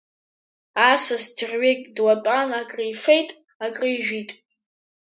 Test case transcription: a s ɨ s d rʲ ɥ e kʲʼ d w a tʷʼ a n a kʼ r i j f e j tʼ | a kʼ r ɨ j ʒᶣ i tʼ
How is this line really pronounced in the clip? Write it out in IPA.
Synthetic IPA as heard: a s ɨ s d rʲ ɥ e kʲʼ d w a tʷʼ a n a kʼ r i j f e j tʼ | a kʼ r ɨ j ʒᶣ i tʼ